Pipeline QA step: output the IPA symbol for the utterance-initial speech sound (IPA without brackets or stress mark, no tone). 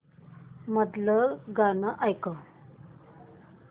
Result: m